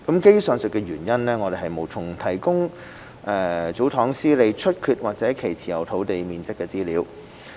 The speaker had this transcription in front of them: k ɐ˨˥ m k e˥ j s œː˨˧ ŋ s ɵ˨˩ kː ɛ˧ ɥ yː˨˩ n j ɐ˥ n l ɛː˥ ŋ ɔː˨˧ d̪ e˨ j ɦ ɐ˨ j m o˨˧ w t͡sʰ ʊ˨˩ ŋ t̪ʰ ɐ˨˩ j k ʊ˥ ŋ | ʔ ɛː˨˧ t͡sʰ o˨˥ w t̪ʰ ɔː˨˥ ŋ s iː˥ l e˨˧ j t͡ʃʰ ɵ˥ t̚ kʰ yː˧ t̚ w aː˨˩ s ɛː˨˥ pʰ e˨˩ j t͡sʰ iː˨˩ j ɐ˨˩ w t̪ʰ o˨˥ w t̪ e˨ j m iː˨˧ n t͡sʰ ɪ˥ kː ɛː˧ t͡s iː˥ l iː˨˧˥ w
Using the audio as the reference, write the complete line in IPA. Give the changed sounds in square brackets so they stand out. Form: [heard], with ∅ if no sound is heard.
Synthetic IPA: k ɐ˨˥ m k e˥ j s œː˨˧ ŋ s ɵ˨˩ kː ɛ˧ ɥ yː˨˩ n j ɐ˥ n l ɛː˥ ŋ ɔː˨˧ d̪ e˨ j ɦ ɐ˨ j m o˨˧ w t͡sʰ ʊ˨˩ ŋ t̪ʰ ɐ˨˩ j k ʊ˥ ŋ | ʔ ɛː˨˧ [t͡s] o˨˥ w t̪ʰ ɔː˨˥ ŋ s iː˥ l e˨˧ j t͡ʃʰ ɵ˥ t̚ kʰ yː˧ t̚ w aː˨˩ [t͡s] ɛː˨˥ [kʰ] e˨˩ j t͡sʰ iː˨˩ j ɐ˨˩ w t̪ʰ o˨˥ w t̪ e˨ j m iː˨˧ n [t͡s] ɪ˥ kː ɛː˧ t͡s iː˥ l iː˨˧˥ w